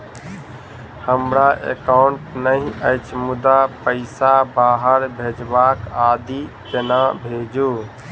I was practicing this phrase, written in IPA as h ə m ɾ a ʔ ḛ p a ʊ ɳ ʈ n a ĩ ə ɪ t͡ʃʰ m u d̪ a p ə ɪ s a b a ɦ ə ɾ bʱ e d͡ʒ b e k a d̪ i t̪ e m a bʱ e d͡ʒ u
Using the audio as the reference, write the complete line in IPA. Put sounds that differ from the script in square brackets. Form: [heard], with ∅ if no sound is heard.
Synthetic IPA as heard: h ə m ɾ a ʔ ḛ [k] a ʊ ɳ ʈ n [ə] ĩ ə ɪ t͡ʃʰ m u d̪ a p ə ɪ s a b a ɦ ə ɾ bʱ e d͡ʒ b [a] k a d̪ i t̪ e [n] a bʱ e d͡ʒ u